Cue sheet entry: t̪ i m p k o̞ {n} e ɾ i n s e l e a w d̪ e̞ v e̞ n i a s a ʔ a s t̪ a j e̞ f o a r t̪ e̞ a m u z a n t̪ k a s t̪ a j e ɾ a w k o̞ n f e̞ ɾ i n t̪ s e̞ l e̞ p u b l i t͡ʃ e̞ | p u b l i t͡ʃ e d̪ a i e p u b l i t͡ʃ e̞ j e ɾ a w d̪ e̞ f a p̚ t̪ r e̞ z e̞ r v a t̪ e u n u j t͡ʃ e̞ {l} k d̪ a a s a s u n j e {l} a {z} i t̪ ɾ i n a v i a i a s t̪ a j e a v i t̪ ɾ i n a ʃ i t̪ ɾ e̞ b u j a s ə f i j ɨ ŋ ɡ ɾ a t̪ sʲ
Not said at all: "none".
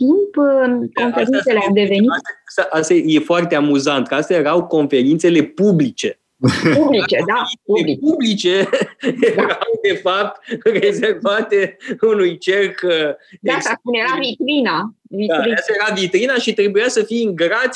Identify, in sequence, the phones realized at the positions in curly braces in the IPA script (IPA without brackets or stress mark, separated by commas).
n, r, ɾ, v